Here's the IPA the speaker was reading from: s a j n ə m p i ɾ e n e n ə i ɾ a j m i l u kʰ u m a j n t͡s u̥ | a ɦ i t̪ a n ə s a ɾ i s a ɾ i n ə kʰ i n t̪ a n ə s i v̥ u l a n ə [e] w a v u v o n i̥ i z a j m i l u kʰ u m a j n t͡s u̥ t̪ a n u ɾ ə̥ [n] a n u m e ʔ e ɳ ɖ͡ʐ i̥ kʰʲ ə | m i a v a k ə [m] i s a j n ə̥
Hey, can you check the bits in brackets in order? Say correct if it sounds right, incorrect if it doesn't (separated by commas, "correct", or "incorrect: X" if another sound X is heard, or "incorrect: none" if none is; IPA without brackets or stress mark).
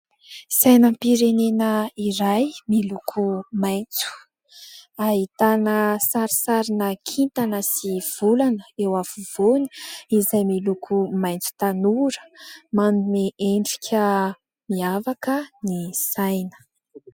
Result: correct, incorrect: m, incorrect: n